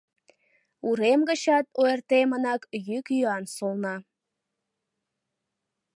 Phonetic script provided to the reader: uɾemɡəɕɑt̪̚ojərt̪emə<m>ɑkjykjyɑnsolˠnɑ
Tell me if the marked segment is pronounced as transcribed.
no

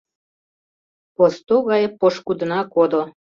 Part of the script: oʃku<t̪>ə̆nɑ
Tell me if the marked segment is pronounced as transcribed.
no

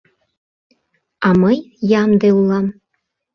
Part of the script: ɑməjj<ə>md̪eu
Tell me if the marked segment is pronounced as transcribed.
no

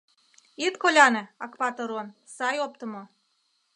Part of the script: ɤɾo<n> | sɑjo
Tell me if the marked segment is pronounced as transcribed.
yes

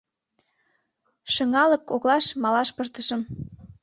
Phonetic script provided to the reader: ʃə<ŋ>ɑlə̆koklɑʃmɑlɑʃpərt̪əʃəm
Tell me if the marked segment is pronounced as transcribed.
yes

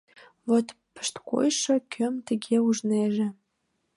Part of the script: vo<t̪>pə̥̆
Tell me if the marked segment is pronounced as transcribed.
yes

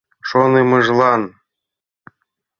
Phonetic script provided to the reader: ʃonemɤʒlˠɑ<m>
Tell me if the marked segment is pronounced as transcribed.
no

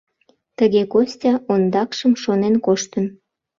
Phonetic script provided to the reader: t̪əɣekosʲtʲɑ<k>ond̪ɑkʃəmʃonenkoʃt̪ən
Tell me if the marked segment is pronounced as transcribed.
no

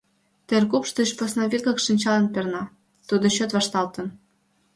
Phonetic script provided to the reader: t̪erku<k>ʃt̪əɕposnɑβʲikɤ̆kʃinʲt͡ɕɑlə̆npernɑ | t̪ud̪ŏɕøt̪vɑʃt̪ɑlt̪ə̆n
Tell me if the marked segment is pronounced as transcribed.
no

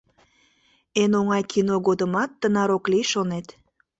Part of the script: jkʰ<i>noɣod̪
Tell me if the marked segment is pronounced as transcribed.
yes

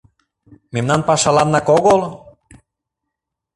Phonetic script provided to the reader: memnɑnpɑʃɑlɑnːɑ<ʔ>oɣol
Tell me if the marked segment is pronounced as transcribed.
no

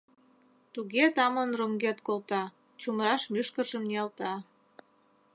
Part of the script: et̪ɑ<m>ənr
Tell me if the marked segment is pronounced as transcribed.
yes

